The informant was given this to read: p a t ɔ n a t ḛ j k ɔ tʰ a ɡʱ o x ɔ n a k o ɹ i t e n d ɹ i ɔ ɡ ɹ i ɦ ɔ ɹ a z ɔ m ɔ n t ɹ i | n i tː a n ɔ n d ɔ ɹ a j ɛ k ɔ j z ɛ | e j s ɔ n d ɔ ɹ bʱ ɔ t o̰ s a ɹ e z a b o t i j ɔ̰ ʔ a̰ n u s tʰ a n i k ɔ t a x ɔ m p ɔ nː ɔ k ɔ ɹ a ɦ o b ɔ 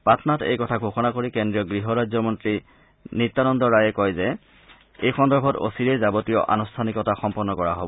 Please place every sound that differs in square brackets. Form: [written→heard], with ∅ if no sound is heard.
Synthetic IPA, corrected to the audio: p a t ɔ n a t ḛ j k ɔ tʰ a ɡʱ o x ɔ n a k o ɹ i [t→k] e n d ɹ i ɔ ɡ ɹ i ɦ ɔ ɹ a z ɔ m ɔ n t ɹ i | n i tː a n ɔ n d ɔ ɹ a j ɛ k ɔ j z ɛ | e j [s→x] ɔ n d ɔ ɹ bʱ ɔ t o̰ s [a→i] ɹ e z a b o t i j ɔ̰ ʔ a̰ n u s tʰ a n i k ɔ t a x ɔ m p ɔ nː ɔ k ɔ ɹ a ɦ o b ɔ

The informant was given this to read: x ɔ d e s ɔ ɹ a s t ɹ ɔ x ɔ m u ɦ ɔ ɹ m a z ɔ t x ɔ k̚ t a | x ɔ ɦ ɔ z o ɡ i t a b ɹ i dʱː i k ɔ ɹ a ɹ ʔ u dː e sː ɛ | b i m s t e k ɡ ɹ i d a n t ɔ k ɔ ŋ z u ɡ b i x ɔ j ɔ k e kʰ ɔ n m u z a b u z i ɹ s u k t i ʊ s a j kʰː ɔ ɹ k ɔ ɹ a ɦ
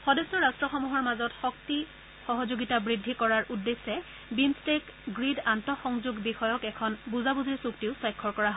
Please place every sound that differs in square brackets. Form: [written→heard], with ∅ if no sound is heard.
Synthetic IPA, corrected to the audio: x ɔ d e s ɔ ɹ a s t ɹ ɔ x ɔ m u ɦ ɔ ɹ m a z ɔ t x ɔ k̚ t [a→i] | x ɔ ɦ ɔ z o ɡ i t a b ɹ i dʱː i k ɔ ɹ a ɹ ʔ u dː e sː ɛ | b i m s t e k ɡ ɹ i d a n t ɔ [k→x] ɔ ŋ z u ɡ b i x ɔ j ɔ k [e→ɛ] kʰ ɔ n [m→b] u z a b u z i ɹ s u k t i ʊ s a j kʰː ɔ ɹ k ɔ ɹ a ɦ

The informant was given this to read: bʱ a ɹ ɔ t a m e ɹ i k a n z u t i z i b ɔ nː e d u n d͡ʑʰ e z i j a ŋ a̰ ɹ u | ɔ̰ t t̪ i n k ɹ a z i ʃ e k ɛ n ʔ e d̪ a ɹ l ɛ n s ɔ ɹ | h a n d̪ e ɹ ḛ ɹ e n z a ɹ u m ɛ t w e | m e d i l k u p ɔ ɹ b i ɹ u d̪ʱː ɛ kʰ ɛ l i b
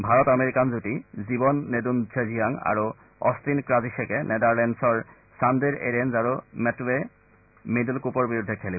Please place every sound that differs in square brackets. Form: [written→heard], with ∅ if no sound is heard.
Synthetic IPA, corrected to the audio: bʱ a ɹ ɔ t a m e ɹ i k a n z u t i z i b ɔ nː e d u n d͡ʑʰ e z i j a ŋ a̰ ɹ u | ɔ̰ [t→s] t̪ i n k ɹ a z i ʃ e k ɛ n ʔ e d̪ a ɹ l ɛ n s ɔ ɹ | [h→s] a n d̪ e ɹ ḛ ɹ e n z a ɹ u m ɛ t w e | m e d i l k u p ɔ ɹ b i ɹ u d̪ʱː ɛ kʰ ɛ l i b

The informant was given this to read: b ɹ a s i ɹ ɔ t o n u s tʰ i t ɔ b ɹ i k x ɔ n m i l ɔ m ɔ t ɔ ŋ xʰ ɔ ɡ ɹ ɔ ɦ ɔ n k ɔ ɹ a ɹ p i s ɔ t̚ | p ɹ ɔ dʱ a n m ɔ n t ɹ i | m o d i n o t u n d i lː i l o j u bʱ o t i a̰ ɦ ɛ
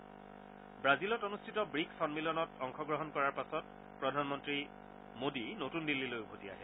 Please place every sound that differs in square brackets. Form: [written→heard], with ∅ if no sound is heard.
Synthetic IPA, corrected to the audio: b ɹ a [s→z] i [ɹ→l] ɔ t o n u s tʰ i t ɔ b ɹ i k [x→s] ɔ n m i l ɔ [m→n] ɔ t ɔ ŋ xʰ ɔ ɡ ɹ ɔ ɦ ɔ n k ɔ ɹ a ɹ p [i→a] s ɔ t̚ | p ɹ ɔ dʱ a n m ɔ n t ɹ i | m o d i n o t u n d i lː i l o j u bʱ o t i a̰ ɦ ɛ

